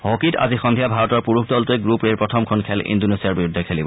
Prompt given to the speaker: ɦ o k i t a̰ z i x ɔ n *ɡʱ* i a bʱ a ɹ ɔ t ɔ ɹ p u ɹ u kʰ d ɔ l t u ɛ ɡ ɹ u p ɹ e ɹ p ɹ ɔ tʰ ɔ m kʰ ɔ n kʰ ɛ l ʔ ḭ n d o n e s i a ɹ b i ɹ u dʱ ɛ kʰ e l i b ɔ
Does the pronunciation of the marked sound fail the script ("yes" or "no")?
yes